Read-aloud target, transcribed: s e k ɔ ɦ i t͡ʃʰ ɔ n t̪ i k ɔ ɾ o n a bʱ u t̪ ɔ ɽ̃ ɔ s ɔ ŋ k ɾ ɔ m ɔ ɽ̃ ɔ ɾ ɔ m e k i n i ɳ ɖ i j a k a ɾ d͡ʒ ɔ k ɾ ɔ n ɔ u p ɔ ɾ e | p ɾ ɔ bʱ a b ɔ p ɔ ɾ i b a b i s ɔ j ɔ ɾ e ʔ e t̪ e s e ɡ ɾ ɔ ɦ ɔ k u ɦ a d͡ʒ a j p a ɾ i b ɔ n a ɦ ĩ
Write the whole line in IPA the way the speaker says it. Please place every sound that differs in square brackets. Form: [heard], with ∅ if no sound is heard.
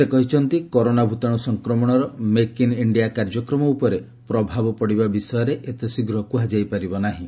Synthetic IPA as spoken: s e k ɔ ɦ i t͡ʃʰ ɔ n t̪ i k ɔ ɾ o n a bʱ u t̪ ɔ ɽ̃ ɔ s ɔ ŋ k ɾ ɔ m ɔ ɽ̃ ɔ ɾ ɔ m e k i n i ɳ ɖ i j a k a ɾ d͡ʒ ɔ k ɾ ɔ [m] ɔ u p ɔ ɾ e | p ɾ ɔ bʱ a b ɔ p ɔ [ɽ] i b a b i s ɔ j ɔ ɾ e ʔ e t̪ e s [i] ɡ ɾ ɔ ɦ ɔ k u ɦ a d͡ʒ a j p a ɾ i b ɔ n a ɦ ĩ